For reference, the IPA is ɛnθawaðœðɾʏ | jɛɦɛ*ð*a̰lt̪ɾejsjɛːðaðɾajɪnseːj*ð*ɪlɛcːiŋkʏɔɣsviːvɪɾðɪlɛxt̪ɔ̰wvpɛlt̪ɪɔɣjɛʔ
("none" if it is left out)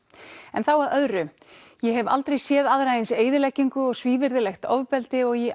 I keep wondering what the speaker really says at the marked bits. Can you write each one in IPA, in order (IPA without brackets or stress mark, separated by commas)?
v, ð